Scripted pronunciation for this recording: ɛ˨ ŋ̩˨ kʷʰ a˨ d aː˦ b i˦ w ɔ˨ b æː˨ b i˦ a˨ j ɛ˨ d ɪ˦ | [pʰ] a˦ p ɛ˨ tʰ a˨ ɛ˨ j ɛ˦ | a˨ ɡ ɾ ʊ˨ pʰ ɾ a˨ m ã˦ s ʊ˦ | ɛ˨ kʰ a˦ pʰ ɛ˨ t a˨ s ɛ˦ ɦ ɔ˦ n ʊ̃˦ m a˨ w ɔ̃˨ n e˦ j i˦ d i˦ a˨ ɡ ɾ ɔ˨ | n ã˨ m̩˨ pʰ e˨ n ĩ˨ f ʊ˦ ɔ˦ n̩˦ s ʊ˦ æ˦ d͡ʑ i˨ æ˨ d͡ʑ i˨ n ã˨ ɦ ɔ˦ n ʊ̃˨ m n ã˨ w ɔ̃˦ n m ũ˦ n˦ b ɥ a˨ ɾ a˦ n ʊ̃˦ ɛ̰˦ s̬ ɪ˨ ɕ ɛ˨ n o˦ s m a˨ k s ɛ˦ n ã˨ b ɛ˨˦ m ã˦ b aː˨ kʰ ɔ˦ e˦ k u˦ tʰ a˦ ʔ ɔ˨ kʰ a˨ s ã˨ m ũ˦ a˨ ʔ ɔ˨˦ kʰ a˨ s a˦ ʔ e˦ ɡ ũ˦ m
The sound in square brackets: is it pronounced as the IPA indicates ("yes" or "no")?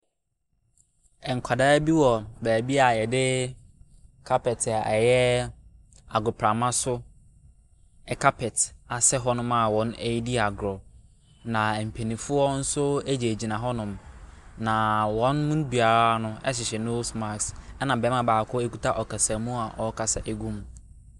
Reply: no